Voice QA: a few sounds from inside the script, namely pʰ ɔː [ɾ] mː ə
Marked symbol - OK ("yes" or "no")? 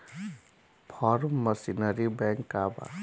yes